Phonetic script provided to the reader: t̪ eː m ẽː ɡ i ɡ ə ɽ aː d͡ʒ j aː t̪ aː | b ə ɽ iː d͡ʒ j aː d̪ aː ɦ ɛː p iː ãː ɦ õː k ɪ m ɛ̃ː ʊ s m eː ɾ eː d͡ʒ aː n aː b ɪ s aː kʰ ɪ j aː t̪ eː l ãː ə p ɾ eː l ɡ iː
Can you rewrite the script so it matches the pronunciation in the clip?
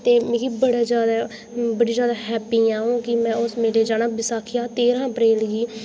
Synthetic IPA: t̪ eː m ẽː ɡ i b ə ɽ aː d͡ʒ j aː d̪ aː | b ə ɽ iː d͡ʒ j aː d̪ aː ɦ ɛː p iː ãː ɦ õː k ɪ m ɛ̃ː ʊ s m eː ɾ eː d͡ʒ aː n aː b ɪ s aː kʰ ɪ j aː t̪ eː ɾ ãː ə p ɾ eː l ɡ iː